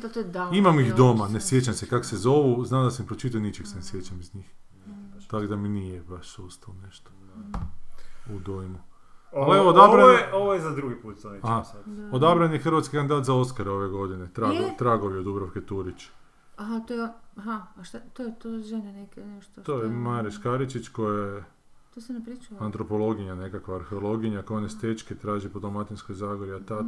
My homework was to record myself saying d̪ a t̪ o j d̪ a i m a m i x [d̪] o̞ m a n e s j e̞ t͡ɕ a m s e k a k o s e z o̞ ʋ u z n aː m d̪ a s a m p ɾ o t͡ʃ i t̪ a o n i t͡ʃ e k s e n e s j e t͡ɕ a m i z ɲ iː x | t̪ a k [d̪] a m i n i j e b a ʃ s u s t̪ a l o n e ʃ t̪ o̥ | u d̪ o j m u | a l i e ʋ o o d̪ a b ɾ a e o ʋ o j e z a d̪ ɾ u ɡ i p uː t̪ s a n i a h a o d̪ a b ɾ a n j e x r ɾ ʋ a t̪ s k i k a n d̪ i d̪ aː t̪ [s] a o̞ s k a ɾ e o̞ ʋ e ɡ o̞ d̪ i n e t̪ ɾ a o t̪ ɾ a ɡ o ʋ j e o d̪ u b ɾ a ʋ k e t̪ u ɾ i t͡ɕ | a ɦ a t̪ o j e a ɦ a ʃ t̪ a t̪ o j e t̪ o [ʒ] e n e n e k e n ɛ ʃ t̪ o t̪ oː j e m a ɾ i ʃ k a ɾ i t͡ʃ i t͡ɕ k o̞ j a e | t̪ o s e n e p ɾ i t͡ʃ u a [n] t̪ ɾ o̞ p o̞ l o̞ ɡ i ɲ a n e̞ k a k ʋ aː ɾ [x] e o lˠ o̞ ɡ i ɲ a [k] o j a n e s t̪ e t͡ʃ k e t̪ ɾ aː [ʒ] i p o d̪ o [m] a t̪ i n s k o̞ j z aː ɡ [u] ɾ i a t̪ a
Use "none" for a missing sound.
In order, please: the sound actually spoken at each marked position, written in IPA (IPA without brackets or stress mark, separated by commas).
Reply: d̪, d̪, z, ʒ, n, x, k, ʒ, m, o